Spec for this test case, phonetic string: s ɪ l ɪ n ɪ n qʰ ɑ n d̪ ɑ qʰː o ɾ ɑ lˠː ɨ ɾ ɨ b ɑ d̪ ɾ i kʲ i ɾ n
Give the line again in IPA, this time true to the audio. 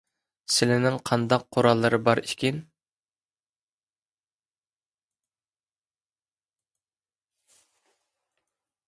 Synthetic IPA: s ɪ l ɪ n ɪ ŋ qʰ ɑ n d̪ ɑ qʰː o ɾ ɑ lˠː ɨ ɾ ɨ b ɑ ɾ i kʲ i n